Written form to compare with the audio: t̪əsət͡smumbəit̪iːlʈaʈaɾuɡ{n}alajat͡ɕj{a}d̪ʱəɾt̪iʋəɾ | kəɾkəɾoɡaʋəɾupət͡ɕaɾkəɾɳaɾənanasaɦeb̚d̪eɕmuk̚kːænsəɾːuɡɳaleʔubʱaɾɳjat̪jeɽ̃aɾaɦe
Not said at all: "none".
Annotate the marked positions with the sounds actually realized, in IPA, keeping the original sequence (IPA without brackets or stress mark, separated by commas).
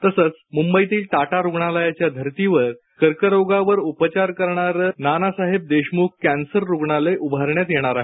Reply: ɳ, a